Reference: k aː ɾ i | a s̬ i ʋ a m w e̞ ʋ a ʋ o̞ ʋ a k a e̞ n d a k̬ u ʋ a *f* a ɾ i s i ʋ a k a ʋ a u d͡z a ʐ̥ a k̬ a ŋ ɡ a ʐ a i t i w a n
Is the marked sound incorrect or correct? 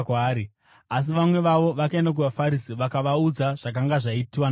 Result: correct